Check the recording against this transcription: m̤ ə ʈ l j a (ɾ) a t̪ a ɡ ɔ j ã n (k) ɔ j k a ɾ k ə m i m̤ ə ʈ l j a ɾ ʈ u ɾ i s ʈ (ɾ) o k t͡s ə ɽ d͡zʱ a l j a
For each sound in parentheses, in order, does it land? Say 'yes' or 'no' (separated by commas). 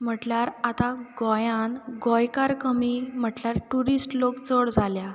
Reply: yes, no, no